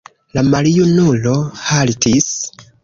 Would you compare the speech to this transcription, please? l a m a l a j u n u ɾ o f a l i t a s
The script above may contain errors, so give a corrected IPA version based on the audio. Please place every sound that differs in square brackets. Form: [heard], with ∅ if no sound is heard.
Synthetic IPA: l a m a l [i] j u n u [l] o [h] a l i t [i] s